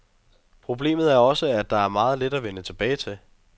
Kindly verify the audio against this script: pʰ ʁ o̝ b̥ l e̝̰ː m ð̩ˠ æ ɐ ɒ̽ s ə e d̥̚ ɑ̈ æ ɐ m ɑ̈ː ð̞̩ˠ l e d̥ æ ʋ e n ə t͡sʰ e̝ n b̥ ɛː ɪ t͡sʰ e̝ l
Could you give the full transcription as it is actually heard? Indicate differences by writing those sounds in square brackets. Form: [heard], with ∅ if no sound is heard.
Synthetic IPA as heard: pʰ ʁ o̝ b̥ l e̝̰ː m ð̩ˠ æ ɐ ɒ̽ s ə [æ] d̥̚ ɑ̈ æ ɐ m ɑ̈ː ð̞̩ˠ l e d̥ æ ʋ e n ə t͡sʰ e̝ [∅] b̥ ɛː ɪ t͡sʰ e̝ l